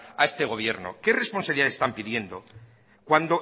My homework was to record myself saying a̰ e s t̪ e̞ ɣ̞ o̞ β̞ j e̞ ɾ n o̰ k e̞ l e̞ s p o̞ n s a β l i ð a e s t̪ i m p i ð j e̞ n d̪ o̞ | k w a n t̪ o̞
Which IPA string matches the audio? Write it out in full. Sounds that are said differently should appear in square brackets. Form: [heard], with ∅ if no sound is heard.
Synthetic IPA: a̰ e s t̪ e̞ ɣ̞ o̞ β̞ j e̞ ɾ n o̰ k e̞ [r] e̞ s p o̞ n s a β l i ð a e s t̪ [a] m p i ð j e̞ n d̪ o̞ | k w a n [d̪] o̞